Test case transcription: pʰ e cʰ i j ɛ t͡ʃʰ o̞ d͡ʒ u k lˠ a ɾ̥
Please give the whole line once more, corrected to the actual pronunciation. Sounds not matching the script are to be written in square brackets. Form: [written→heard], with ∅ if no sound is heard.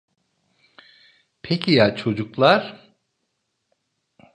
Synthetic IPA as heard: pʰ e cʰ i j [ɛ→a] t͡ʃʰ o̞ d͡ʒ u k lˠ a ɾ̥